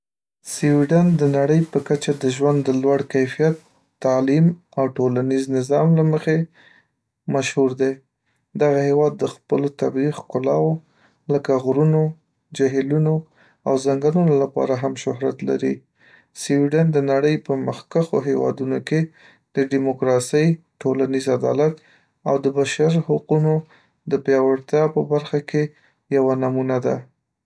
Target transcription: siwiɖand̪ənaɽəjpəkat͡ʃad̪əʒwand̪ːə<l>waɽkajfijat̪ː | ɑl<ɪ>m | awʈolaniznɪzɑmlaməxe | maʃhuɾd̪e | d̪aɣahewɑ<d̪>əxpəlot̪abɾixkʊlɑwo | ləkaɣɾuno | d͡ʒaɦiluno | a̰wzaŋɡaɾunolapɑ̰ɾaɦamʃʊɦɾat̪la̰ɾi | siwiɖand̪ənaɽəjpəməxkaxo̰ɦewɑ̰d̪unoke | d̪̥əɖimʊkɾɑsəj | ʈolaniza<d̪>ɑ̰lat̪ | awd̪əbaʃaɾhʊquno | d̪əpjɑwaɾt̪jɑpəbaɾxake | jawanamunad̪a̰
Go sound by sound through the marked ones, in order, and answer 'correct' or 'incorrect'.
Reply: correct, incorrect: i, incorrect: d̪ː, correct

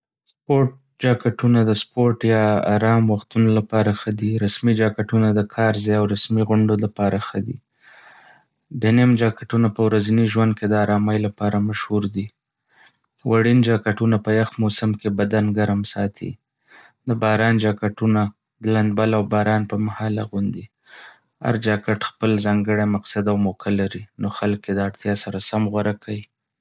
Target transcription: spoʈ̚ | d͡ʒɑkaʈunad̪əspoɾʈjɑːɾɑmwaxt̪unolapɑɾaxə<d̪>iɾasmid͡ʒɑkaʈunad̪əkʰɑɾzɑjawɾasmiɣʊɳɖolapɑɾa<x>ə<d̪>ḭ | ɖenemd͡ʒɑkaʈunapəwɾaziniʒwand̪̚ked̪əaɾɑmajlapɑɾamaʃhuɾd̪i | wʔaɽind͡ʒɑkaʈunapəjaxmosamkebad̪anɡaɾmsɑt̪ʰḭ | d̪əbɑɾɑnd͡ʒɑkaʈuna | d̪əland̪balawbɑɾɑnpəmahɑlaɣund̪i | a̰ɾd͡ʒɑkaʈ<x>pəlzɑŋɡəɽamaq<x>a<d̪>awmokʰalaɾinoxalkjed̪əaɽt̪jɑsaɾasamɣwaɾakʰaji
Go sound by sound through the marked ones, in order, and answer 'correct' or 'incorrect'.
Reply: correct, correct, correct, correct, incorrect: s, correct

